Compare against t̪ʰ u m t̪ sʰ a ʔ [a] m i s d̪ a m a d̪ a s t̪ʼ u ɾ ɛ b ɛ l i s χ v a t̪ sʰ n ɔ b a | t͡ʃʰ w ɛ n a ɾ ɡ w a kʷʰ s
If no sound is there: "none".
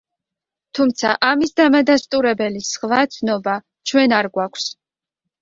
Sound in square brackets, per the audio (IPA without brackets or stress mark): a